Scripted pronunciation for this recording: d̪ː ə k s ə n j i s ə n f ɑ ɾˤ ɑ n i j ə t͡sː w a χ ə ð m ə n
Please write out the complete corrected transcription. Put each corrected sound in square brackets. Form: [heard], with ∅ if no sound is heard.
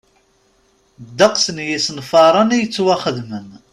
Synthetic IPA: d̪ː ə [q] s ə n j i s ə n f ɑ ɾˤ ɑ n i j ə t͡sː w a χ ə ð m ə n

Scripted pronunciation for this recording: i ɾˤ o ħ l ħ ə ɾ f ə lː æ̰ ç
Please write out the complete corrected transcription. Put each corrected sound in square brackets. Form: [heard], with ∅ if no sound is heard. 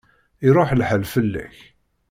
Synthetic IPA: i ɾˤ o ħ l ħ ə [l] f ə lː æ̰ ç

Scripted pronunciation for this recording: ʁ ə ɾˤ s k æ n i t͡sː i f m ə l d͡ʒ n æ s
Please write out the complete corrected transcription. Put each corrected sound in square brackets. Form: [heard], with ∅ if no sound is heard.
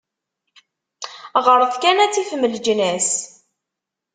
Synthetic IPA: ʁ ə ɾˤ [θ] k æ n [æ] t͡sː i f m ə l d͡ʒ n æ s

